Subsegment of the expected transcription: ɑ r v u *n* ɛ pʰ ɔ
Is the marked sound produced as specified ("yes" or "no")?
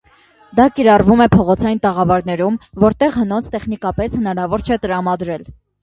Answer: no